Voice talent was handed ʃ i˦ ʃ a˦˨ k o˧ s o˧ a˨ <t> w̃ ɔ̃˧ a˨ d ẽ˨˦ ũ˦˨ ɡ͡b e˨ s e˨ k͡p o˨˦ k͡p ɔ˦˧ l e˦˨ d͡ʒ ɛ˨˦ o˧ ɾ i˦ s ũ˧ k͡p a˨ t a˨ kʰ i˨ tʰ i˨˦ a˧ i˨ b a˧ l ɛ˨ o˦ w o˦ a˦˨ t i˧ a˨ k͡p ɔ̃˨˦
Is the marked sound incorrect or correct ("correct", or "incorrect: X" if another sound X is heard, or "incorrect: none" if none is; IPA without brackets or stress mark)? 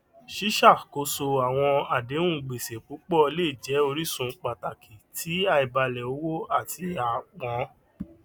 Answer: incorrect: none